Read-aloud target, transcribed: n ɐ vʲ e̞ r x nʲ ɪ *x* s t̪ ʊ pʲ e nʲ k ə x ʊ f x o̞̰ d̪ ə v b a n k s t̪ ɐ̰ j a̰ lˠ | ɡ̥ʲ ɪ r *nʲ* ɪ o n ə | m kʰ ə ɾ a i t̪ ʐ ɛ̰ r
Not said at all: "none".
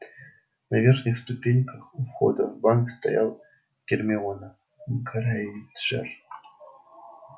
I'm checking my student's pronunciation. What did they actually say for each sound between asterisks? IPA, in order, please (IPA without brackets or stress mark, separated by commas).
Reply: x, mʲ